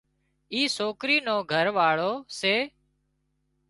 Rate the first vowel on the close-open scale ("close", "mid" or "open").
close